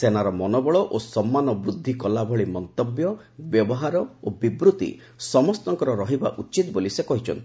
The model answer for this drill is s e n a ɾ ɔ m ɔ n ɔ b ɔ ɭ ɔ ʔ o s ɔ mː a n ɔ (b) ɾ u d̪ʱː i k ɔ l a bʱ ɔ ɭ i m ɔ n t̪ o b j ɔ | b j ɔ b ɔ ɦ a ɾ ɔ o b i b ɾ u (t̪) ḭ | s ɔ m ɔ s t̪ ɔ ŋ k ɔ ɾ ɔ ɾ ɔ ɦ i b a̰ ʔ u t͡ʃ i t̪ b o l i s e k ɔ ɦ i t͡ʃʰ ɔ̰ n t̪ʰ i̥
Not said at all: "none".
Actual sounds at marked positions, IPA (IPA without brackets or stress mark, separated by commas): b, t̪